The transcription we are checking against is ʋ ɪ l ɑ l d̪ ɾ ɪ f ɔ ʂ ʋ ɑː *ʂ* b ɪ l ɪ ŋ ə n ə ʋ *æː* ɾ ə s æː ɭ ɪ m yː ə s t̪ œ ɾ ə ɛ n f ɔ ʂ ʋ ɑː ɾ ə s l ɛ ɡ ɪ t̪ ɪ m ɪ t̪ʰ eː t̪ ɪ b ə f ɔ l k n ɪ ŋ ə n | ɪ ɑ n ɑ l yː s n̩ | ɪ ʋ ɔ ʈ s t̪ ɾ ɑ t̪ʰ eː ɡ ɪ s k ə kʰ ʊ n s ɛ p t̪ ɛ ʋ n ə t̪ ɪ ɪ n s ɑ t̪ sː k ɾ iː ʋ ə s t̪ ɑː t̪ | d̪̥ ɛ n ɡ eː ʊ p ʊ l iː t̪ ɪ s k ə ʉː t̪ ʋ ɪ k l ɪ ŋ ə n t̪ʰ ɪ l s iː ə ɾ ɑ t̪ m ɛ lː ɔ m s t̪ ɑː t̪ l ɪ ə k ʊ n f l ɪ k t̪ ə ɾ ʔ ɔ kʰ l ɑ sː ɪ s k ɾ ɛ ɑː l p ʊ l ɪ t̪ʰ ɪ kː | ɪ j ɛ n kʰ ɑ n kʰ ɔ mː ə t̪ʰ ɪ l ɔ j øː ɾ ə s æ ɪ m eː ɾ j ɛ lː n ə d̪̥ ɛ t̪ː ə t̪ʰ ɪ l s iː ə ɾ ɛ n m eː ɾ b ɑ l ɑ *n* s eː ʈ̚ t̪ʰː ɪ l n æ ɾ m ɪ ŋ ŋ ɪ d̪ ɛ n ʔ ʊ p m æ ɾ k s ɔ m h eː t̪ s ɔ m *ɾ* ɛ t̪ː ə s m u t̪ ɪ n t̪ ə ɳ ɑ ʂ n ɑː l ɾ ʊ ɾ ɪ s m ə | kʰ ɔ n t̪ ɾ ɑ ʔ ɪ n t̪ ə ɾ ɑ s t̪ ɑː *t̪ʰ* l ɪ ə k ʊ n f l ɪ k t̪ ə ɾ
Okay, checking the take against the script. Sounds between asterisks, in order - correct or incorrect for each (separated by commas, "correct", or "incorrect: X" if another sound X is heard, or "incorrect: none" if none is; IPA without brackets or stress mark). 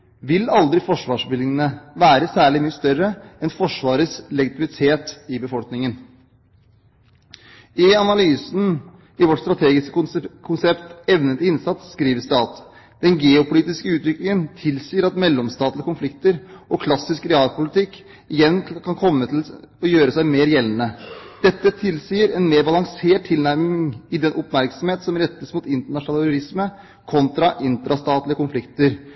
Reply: correct, correct, incorrect: ŋ, correct, incorrect: t̪